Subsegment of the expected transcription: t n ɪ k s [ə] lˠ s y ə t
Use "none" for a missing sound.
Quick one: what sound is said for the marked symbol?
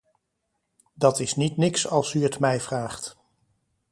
ɑ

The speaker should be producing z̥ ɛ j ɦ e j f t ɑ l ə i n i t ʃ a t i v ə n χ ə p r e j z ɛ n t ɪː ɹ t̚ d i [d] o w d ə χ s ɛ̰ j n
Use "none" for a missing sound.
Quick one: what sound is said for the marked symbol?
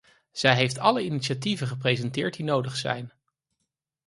n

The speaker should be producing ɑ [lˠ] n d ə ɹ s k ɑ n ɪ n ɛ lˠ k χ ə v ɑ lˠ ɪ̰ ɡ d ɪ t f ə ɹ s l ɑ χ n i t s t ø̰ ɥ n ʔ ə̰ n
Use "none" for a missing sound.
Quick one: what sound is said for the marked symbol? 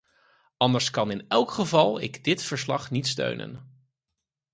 none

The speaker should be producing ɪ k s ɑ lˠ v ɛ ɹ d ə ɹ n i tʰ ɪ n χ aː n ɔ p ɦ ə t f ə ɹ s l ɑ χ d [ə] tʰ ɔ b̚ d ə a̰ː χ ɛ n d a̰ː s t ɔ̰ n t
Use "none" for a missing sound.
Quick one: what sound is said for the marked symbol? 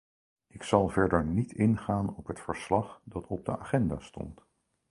ɑ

